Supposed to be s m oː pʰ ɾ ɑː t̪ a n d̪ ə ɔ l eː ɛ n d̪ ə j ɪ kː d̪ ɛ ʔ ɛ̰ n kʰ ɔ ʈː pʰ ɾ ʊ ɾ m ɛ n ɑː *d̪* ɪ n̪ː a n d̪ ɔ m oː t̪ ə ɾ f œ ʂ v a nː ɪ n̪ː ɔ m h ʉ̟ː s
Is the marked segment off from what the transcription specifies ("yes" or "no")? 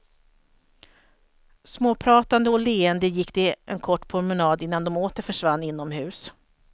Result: no